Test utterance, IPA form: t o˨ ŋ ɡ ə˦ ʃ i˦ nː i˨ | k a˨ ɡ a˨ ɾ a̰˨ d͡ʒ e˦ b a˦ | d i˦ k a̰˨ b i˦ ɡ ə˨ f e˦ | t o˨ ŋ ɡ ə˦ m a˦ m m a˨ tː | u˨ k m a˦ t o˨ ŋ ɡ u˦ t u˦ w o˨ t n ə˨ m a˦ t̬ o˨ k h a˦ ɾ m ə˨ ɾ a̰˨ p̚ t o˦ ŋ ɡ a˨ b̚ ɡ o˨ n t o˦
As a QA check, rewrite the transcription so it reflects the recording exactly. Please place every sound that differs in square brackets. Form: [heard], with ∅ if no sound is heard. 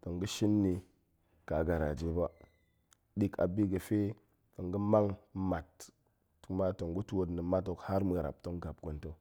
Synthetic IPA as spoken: t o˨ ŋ ɡ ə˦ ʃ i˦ nː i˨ | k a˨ ɡ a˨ ɾ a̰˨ d͡ʒ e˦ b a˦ | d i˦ k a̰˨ b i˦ ɡ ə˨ f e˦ | t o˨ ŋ ɡ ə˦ m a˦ [ŋ] m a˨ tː | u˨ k m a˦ t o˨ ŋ ɡ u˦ t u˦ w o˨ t n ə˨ m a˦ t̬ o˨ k h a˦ ɾ m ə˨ ɾ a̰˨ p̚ t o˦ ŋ ɡ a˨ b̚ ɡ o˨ n t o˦